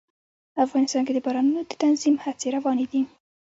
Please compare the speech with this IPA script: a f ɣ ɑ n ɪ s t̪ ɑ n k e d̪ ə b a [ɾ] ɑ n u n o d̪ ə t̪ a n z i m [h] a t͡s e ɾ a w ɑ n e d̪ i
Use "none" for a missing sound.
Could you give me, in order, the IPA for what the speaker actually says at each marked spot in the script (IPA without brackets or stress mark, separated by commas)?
ɾ, h